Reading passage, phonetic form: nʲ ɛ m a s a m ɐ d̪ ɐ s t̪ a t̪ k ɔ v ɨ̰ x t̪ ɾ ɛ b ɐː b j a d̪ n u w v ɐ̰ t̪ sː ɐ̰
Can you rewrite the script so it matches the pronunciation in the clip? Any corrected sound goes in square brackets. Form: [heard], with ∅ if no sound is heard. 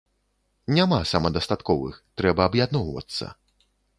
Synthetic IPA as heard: nʲ [a] m a s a m ɐ d̪ ɐ s t̪ a t̪ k ɔ v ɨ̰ x t̪ ɾ ɛ b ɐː b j a d̪ n [ɔ] w v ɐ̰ t̪ sː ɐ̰